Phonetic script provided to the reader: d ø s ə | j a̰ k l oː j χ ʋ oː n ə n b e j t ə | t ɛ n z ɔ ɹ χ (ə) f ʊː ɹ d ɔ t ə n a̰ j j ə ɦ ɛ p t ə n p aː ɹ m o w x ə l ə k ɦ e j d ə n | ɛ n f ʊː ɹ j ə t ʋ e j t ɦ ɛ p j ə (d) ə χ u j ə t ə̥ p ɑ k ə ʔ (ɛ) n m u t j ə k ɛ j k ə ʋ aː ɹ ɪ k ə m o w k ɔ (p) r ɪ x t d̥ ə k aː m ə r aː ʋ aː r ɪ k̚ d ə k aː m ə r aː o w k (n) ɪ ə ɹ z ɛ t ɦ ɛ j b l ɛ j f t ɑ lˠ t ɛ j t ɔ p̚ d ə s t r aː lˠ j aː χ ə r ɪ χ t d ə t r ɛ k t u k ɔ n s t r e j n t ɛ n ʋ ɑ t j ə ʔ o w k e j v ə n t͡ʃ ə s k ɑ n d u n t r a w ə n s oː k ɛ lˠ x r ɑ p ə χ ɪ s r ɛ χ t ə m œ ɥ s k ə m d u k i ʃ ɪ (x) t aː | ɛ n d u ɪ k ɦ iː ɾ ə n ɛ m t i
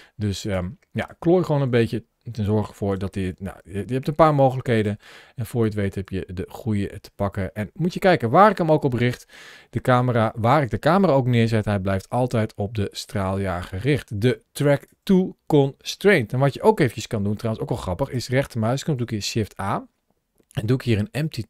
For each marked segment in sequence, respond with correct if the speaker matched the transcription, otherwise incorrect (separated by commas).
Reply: correct, correct, correct, correct, correct, incorrect